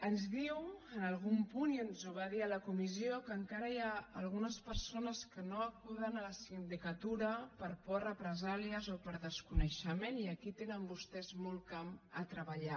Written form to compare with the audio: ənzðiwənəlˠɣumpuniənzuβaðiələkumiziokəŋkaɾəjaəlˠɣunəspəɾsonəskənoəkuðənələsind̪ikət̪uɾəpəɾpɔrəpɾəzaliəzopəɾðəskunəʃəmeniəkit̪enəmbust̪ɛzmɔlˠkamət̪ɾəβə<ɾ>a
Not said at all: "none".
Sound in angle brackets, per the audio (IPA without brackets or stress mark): ʎ